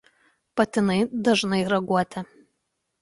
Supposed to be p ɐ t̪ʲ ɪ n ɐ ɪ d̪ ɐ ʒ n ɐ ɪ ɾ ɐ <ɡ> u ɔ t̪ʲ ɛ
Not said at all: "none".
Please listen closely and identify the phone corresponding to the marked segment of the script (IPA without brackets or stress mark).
ɡ